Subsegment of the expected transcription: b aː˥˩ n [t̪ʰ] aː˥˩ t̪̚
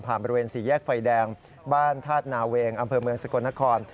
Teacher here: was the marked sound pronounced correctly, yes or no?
yes